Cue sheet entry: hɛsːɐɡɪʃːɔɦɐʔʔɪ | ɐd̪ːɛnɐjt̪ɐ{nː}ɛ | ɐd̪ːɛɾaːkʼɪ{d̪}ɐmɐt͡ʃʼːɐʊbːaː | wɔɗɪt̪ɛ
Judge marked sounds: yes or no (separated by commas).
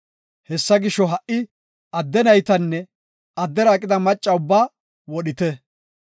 yes, yes